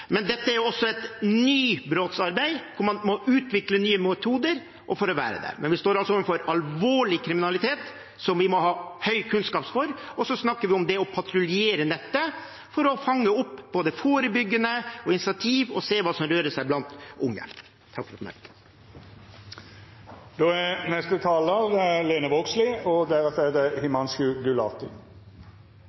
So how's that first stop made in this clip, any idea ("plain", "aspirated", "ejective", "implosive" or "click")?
plain